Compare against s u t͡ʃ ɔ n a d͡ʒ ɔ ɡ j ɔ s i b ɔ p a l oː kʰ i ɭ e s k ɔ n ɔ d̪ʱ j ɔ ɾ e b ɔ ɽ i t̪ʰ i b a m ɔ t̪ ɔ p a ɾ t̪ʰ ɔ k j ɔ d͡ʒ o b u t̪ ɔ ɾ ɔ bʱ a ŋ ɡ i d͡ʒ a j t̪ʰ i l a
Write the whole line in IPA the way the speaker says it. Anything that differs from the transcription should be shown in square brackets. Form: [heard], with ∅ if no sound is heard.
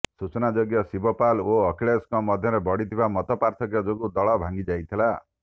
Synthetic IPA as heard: s u t͡ʃ ɔ n a d͡ʒ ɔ ɡ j ɔ s i b ɔ p a l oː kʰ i ɭ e s k ɔ [m] ɔ d̪ʱ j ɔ ɾ e b ɔ ɽ i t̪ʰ i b a m ɔ t̪ ɔ p a ɾ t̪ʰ ɔ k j ɔ d͡ʒ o [ɡ] u [d̪] ɔ [ɭ] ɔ bʱ a ŋ ɡ i d͡ʒ a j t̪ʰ i l a